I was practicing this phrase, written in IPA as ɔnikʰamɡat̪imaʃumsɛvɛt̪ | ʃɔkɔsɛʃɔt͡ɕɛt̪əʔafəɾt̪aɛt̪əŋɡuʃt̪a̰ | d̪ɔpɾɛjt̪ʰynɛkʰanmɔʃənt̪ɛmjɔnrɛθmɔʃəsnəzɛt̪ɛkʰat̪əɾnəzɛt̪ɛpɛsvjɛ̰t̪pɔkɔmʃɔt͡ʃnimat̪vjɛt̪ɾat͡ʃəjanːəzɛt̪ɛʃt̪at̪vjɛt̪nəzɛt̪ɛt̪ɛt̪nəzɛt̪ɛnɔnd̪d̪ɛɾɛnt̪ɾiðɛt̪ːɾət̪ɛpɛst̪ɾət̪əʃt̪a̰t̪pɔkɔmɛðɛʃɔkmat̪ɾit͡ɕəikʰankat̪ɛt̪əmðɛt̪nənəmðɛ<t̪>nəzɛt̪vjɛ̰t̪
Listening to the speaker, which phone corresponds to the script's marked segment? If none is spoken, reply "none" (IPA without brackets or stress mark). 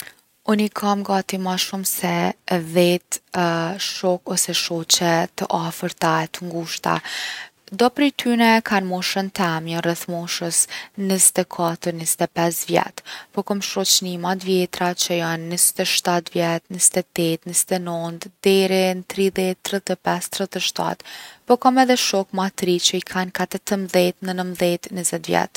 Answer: t̪